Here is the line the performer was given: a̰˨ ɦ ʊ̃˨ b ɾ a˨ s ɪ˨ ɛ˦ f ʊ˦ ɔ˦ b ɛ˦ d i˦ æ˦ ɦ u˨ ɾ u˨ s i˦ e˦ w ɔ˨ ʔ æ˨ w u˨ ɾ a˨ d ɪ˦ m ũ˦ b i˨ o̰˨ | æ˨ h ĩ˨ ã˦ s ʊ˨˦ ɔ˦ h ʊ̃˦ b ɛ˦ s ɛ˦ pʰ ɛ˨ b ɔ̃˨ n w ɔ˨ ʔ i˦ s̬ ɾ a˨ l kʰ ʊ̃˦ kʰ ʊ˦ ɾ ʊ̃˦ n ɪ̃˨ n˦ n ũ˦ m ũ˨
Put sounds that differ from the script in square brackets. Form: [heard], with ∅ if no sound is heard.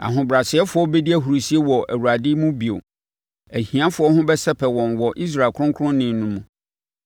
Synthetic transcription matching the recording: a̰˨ ɦ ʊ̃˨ b ɾ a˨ s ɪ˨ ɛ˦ f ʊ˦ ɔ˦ b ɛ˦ d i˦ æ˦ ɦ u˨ ɾ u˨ s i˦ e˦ w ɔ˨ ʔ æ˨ w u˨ ɾ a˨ d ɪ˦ m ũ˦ b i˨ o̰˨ | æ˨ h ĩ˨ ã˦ [f] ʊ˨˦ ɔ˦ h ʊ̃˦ b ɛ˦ s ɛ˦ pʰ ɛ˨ [w] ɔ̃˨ n w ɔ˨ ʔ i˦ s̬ ɾ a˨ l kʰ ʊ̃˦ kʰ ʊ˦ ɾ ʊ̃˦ n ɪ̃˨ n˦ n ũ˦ m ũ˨